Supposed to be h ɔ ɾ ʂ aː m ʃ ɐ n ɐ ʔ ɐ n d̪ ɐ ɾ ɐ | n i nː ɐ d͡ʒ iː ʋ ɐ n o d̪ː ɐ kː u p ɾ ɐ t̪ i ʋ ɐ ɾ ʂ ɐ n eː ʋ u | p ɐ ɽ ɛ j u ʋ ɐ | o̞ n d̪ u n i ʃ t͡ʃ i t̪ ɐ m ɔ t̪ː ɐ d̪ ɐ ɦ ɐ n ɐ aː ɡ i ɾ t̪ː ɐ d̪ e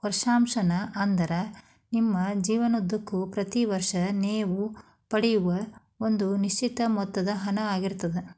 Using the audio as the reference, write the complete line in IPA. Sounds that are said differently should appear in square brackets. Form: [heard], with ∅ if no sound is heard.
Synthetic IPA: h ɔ ɾ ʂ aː m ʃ ɐ n ɐ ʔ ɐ n d̪ ɐ ɾ ɐ | n i [mː] ɐ d͡ʒ iː ʋ ɐ n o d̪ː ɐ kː u p ɾ ɐ t̪ i ʋ ɐ ɾ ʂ ɐ n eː ʋ u | p ɐ ɽ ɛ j u ʋ ɐ | o̞ n d̪ u n i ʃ t͡ʃ i t̪ ɐ m ɔ t̪ː ɐ d̪ ɐ ɦ ɐ n ɐ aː ɡ i ɾ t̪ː ɐ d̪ e